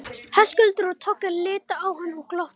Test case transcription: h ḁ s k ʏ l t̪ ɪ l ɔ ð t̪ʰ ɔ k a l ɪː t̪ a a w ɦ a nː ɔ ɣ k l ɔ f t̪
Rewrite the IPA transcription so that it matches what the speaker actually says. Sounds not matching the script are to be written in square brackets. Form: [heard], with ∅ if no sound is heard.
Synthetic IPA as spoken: h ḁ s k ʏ l t̪ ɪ [ɾ] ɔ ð t̪ʰ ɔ k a l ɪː t̪ a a w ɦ a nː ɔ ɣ k l ɔ [h] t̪